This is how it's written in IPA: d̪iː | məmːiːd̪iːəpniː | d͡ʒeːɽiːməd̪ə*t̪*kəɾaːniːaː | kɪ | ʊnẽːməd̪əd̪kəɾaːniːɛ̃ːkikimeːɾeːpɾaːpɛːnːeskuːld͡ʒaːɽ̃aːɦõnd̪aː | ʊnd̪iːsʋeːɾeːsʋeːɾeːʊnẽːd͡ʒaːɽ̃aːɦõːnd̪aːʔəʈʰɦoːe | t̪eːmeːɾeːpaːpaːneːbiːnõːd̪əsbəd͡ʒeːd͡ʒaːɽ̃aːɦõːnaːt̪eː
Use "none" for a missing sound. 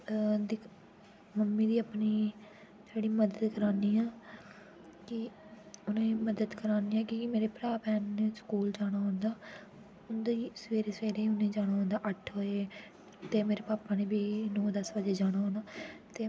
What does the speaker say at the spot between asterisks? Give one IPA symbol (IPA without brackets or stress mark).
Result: d̪